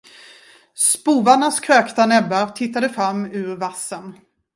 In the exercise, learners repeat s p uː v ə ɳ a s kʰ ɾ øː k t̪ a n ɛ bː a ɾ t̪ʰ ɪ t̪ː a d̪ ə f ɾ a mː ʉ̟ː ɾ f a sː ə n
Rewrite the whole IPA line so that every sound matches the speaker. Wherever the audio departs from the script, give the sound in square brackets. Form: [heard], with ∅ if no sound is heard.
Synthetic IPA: s p uː v [a] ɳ a s kʰ ɾ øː k t̪ a n ɛ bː a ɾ t̪ʰ ɪ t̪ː a d̪ ə f ɾ a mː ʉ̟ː ɾ [v] a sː ə n